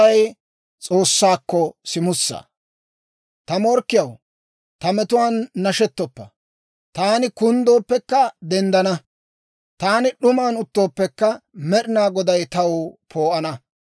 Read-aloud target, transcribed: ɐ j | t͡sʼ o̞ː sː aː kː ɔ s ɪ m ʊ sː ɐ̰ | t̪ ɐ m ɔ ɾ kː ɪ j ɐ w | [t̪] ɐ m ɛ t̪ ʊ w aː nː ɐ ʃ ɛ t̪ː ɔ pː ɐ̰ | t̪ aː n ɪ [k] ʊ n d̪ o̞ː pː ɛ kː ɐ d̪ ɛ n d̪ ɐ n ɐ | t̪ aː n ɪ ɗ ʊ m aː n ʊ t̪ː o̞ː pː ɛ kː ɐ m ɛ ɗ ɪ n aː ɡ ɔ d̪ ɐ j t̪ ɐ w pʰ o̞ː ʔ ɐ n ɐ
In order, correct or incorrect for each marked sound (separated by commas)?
correct, correct